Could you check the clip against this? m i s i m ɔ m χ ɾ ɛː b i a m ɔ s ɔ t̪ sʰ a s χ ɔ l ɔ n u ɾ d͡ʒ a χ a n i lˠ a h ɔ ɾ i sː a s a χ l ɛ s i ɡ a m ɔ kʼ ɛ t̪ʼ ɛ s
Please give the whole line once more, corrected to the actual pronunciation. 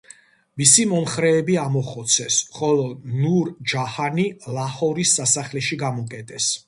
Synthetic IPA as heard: m i s i m ɔ m χ ɾ ɛː b i a m ɔ χ ɔ t̪ sʰ ɛ s χ ɔ l ɔ n u ɾ d͡ʒ a h a n i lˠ a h ɔ ɾ i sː a s a χ l ɛ ʃ i ɡ a m ɔ kʼ ɛ t̪ʼ ɛ s